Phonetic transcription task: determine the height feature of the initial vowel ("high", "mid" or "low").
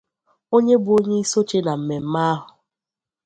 mid